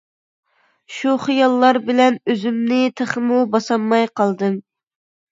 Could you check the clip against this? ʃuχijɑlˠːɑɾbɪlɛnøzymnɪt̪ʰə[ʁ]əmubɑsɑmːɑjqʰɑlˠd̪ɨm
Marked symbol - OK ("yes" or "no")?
no